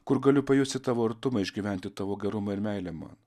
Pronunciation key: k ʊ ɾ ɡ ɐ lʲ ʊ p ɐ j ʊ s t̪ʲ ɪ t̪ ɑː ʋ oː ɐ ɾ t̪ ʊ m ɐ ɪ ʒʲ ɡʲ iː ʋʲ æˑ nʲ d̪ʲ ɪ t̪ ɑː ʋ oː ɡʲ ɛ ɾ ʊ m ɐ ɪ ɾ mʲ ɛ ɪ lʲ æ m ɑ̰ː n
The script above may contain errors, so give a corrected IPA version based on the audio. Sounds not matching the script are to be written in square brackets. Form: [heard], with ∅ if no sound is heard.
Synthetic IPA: k ʊ ɾ ɡ ɐ lʲ ʊ p ɐ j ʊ s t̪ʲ ɪ t̪ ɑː ʋ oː ɐ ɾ t̪ ʊ m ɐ ɪ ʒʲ ɡʲ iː ʋʲ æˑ nʲ [t̪ʲ] ɪ t̪ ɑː ʋ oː ɡʲ ɛ ɾ ʊ m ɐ ɪ ɾ mʲ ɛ ɪ lʲ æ m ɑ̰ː n